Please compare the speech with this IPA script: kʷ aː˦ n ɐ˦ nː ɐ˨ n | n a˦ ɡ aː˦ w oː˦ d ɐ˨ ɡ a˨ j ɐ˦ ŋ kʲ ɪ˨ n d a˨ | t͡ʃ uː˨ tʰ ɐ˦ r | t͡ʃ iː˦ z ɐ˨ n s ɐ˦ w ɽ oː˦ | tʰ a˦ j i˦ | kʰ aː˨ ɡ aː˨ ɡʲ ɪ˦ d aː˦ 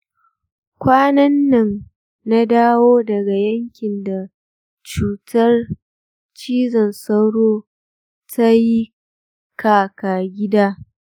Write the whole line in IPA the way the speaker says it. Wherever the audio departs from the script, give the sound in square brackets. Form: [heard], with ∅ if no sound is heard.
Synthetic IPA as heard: kʷ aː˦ n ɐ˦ nː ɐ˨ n | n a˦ [d] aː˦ w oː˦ d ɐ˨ ɡ a˨ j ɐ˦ ŋ kʲ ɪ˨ n d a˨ | t͡ʃ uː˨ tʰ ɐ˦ r | t͡ʃ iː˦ z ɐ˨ n s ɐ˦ w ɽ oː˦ | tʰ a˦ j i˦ | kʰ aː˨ [k] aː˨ ɡʲ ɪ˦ d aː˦